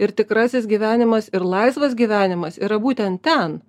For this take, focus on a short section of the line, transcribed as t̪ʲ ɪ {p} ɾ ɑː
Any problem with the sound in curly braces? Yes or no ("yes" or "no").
yes